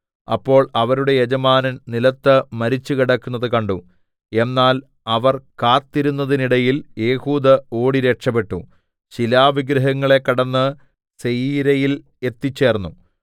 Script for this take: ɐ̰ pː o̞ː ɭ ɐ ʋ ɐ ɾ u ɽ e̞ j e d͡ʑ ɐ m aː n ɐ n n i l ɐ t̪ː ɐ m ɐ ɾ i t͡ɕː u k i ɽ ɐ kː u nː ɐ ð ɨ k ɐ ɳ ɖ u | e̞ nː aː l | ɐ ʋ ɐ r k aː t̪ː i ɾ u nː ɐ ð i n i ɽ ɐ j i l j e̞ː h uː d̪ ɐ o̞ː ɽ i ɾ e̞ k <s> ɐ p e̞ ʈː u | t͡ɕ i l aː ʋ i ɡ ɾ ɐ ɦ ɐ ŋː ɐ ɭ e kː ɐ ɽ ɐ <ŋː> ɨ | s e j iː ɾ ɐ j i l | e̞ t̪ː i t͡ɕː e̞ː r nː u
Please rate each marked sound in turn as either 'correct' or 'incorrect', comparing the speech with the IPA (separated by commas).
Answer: incorrect, incorrect